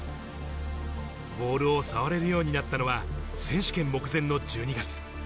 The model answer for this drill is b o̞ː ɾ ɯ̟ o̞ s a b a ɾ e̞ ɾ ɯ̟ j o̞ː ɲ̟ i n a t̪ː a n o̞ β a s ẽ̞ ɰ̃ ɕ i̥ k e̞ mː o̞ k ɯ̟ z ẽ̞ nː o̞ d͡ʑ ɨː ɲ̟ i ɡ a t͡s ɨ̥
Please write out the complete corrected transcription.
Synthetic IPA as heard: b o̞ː ɾ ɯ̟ o̞ s a β a ɾ e̞ ɾ ɯ̟ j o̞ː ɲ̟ i n a t̪ː a n o̞ β a s ẽ̞ ɰ̃ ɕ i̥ k ẽ̞ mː o̞ k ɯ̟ z ẽ̞ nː o̞ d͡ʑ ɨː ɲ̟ i ɡ a t͡s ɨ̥